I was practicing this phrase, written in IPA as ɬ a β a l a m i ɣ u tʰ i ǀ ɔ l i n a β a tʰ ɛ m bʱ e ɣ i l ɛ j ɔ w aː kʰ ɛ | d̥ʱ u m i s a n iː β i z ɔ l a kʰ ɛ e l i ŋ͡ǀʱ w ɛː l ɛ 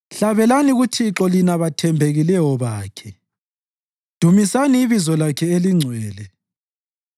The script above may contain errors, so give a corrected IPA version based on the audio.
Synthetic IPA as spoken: ɬ a β ɛ l a n i ɣ u tʰ i ǁ ɔ l i n a β a tʰ ɛ m bʱ e ɣ i l ɛ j ɔ β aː kʰ ɛ | d̥ʱ u m i s a n iː β i z ɔ l a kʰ ɛ e l i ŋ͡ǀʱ w ɛː l ɛ